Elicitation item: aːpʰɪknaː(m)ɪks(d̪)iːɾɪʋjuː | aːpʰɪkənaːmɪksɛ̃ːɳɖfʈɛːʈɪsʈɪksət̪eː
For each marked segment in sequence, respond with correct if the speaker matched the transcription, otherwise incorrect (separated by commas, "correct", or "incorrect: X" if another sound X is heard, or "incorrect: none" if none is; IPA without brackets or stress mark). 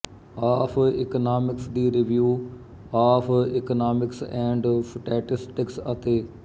correct, correct